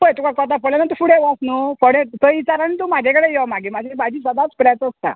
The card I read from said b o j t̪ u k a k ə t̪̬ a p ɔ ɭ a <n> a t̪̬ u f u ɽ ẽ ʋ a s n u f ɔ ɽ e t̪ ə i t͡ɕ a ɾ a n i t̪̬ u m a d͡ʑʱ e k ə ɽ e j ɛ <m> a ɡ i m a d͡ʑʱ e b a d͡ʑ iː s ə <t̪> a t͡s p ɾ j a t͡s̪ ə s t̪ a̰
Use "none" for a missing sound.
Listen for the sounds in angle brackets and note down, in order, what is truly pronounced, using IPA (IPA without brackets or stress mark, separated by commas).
n, m, d̪